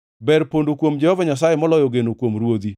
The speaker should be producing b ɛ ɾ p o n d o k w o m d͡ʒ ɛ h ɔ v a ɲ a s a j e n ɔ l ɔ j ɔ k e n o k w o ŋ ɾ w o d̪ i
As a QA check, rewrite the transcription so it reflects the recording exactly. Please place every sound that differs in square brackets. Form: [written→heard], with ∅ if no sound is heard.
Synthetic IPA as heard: b ɛ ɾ p o n d o k w o m d͡ʒ ɛ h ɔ v a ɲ a s a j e [n→m] ɔ l ɔ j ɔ [k→ɡ] e n o k w o [ŋ→m] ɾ w o d̪ i